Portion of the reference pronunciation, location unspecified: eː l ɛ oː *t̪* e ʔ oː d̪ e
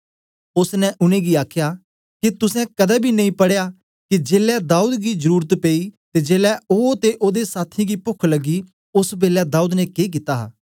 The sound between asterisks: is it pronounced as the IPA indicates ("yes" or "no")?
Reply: yes